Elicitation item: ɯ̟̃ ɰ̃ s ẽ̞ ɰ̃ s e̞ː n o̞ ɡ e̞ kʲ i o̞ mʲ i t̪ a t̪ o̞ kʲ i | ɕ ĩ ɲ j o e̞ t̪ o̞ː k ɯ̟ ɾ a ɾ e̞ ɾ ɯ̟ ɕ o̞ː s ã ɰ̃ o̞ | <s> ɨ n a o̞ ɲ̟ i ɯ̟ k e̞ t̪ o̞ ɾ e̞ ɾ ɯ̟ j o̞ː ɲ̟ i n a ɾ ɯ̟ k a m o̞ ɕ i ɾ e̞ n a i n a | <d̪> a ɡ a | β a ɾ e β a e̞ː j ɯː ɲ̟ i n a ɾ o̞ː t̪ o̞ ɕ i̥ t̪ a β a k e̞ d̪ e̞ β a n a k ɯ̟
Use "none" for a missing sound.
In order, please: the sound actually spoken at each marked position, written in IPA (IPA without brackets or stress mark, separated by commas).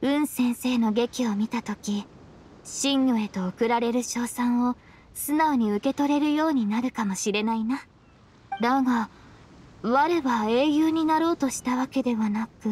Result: s, d̪